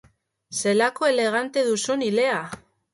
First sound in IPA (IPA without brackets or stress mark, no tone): s